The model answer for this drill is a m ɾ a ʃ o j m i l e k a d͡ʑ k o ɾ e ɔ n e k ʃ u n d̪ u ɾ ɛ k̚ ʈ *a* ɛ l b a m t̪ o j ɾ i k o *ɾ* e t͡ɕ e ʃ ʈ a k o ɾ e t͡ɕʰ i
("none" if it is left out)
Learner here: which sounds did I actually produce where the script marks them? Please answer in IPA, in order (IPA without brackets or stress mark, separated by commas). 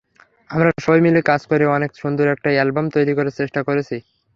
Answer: a, ɾ